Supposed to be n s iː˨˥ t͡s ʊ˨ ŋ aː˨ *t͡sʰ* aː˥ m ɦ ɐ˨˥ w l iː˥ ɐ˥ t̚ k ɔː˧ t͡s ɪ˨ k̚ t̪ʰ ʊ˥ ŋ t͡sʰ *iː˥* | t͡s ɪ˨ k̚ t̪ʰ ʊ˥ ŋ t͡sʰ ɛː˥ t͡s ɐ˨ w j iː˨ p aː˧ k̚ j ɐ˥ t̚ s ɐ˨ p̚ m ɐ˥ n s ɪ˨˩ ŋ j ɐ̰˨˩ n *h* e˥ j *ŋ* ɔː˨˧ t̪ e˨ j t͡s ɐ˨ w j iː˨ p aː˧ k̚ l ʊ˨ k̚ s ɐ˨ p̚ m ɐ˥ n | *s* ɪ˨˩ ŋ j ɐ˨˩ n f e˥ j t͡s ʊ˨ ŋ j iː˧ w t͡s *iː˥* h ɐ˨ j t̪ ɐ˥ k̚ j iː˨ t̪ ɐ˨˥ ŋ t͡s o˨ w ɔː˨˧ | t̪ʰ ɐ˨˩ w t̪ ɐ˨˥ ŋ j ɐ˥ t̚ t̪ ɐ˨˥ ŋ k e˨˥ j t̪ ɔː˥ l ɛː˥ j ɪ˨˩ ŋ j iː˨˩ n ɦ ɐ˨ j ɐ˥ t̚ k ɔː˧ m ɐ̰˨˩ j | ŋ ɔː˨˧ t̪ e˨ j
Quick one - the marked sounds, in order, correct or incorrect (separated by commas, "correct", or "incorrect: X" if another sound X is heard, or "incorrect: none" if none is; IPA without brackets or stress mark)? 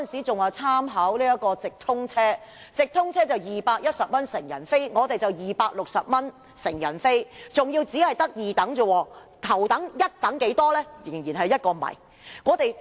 correct, incorrect: ɛː˥, incorrect: f, correct, correct, incorrect: iː˨˥